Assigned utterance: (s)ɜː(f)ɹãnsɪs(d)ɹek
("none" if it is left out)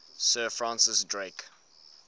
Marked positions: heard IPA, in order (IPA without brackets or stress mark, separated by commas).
s, f, d